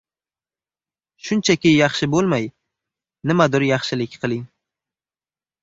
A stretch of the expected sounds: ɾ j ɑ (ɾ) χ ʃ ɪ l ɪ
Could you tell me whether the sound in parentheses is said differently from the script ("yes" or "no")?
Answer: yes